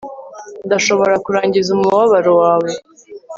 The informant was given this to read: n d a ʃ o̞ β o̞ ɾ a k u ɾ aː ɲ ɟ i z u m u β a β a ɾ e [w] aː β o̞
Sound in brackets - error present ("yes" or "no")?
no